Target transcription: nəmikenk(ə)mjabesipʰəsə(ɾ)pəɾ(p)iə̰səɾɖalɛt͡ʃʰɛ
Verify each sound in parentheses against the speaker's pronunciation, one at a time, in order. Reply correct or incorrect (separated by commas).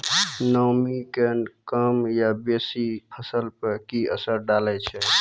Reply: correct, incorrect, incorrect